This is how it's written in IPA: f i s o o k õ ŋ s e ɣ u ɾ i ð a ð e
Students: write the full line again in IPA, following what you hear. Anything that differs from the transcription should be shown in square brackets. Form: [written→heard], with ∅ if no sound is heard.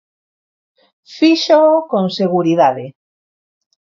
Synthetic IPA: f i [s→ʃ] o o k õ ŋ s e ɣ u ɾ i ð a ð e